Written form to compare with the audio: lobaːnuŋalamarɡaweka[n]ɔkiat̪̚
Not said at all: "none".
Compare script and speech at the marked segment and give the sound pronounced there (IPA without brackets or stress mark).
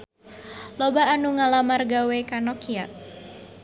n